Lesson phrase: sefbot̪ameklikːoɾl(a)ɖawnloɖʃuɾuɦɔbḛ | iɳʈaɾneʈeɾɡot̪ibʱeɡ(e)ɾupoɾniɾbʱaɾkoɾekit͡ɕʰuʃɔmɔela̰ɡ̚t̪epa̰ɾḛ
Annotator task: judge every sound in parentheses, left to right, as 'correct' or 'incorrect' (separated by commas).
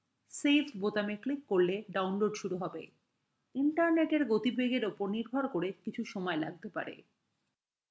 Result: incorrect, correct